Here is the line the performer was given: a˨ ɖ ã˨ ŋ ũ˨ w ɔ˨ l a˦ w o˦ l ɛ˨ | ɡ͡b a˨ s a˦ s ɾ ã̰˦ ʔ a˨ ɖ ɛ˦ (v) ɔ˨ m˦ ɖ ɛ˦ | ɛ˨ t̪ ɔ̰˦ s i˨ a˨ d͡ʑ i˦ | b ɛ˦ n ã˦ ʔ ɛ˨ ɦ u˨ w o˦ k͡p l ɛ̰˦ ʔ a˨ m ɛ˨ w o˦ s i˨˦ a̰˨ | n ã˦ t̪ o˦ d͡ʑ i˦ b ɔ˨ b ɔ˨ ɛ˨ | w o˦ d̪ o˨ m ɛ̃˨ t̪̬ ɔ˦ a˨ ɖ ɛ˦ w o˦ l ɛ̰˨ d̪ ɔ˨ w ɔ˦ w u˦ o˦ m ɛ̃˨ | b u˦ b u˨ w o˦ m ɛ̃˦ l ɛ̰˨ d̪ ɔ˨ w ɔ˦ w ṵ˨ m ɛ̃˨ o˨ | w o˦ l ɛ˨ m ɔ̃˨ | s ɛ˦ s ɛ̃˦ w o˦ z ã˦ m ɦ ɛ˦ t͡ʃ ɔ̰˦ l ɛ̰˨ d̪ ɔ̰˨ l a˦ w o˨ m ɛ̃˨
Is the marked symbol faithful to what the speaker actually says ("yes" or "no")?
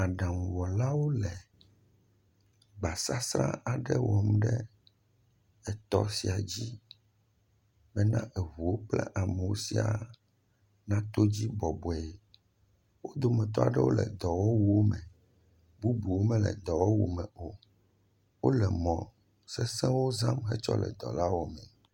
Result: no